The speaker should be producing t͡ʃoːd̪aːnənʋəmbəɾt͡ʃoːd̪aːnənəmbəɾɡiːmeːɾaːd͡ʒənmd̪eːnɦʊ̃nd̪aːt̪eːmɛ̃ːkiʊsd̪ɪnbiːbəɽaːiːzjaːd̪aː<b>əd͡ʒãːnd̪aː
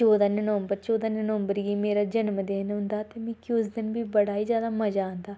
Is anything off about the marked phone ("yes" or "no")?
yes